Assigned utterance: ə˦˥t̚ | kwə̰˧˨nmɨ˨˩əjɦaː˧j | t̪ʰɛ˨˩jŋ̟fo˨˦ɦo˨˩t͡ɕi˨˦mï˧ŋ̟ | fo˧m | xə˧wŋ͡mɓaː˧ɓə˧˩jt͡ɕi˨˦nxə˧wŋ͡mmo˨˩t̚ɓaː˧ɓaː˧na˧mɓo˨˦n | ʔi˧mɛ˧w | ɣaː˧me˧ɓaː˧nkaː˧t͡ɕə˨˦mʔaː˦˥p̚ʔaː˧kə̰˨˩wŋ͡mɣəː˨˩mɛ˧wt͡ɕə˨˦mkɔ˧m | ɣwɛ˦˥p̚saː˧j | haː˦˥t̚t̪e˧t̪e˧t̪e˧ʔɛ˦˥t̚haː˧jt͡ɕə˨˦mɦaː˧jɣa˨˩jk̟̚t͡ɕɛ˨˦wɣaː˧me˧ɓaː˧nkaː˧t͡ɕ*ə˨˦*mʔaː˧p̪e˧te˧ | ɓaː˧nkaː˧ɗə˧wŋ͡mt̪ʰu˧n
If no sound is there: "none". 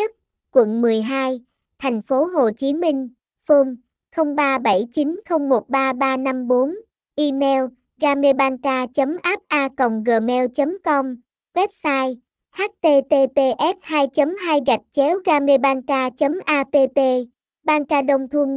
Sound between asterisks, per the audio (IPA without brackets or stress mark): ə˨˦